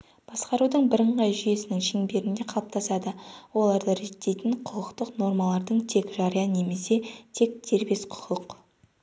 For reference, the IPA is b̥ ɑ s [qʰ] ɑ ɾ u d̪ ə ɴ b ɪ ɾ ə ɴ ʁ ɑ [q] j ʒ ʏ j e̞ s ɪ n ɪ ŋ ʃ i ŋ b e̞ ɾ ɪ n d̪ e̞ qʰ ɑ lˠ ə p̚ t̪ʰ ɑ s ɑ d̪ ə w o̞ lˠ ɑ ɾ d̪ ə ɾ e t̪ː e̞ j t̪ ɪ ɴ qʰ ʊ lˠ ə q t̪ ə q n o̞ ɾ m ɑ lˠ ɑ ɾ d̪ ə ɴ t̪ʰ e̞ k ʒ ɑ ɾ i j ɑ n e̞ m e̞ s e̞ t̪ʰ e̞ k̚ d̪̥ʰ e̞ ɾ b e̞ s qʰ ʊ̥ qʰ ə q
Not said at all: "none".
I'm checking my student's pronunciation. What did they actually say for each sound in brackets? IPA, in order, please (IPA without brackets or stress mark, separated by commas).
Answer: q, none